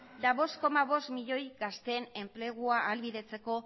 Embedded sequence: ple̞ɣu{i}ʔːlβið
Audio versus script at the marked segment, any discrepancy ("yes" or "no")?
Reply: yes